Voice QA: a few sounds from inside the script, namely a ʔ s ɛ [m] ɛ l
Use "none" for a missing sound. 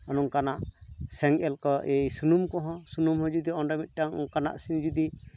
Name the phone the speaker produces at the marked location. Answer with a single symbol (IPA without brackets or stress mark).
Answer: ŋ